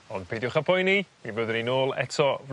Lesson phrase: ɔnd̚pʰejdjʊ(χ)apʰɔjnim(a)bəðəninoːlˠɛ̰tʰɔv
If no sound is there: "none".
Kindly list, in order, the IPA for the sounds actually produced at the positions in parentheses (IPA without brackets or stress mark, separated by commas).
χ, i